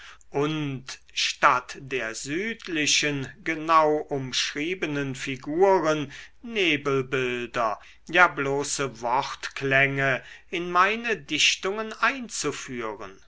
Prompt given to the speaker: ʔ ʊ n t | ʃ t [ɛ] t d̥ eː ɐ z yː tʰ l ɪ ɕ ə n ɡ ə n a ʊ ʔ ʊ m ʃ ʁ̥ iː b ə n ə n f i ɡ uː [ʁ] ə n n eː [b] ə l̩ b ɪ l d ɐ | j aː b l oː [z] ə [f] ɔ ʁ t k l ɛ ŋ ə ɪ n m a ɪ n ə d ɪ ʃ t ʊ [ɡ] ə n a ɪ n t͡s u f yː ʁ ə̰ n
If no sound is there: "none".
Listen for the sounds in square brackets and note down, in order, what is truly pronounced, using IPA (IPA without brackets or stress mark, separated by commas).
a, ʁ, b, s, v, ŋ